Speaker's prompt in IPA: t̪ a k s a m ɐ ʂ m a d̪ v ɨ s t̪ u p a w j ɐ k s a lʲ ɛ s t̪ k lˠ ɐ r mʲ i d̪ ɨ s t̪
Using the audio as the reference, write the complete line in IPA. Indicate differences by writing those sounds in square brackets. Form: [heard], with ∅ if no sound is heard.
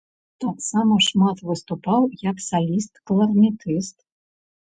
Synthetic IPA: t̪ a k s a m ɐ ʂ m a [t̪] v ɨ s t̪ u p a w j ɐ k s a lʲ [i] s t̪ k lˠ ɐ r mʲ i [t̪] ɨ s t̪